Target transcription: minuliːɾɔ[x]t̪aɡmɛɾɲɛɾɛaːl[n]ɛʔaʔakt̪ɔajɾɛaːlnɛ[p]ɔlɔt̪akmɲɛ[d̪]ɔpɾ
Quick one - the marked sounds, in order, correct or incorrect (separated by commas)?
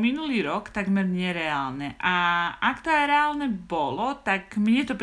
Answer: incorrect, correct, incorrect, incorrect